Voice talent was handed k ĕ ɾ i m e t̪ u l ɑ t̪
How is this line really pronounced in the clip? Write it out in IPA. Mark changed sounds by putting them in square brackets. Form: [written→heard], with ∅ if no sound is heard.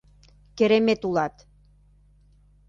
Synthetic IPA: k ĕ ɾ [i→e] m e t̪ u l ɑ t̪